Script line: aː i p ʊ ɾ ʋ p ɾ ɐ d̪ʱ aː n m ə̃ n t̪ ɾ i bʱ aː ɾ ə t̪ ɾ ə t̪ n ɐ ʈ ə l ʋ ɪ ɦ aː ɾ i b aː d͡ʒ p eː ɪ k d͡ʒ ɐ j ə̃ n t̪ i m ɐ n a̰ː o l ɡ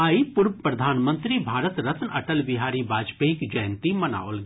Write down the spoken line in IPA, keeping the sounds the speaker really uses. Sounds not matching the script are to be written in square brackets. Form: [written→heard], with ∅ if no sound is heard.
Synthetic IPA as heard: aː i p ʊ ɾ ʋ p ɾ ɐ d̪ʱ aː n m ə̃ n t̪ ɾ i bʱ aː ɾ ə t̪ ɾ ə t̪ n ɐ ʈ ə l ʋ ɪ ɦ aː ɾ i b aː d͡ʒ p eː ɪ k d͡ʒ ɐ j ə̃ n t̪ i m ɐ n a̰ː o l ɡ